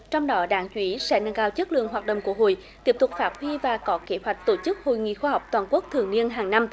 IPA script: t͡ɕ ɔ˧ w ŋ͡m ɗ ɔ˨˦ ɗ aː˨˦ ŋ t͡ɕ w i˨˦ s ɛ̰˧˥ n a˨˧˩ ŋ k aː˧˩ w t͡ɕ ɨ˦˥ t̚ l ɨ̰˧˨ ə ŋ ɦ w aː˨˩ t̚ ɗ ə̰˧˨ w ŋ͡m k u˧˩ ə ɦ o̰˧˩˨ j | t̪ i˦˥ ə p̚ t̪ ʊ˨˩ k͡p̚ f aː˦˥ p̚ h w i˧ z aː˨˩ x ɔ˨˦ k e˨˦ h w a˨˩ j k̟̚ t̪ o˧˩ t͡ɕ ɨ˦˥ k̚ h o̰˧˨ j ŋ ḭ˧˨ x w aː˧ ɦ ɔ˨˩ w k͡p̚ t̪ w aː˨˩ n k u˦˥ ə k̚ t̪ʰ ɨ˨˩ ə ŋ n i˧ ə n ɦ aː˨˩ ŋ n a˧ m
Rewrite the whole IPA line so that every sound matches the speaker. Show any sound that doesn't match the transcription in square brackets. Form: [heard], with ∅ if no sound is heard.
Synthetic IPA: t͡ɕ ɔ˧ w ŋ͡m ɗ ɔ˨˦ ɗ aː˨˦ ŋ t͡ɕ w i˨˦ s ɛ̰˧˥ n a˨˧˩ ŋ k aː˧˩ w t͡ɕ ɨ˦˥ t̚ l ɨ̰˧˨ ə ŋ ɦ w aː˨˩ t̚ ɗ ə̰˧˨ w ŋ͡m k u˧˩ ə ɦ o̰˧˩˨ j | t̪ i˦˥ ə p̚ t̪ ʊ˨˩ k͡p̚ f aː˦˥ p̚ h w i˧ [v] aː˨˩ [k] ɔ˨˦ k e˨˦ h w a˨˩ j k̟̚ t̪ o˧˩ t͡ɕ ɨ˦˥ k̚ h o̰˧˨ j ŋ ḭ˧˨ x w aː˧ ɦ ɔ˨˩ w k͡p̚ t̪ w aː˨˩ n k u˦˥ ə k̚ t̪ʰ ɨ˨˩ ə ŋ n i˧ ə n ɦ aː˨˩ ŋ n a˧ m